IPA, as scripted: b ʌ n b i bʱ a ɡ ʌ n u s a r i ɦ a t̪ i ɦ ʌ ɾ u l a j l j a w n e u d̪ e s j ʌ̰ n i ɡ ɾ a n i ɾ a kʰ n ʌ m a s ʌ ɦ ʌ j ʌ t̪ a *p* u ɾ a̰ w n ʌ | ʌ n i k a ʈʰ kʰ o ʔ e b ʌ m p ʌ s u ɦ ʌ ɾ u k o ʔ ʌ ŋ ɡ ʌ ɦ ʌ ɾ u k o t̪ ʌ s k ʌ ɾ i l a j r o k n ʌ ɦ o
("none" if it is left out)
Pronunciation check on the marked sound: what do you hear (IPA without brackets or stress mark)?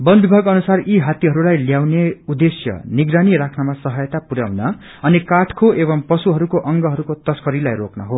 p